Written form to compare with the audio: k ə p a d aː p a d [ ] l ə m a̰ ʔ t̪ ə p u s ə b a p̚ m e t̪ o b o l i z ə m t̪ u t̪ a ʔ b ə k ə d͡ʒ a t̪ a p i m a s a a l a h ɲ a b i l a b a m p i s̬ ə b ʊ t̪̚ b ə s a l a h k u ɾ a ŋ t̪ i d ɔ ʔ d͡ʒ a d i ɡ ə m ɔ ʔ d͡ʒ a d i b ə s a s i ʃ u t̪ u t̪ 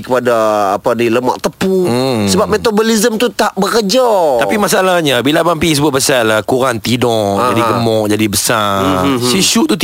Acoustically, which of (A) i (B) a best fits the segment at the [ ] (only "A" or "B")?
A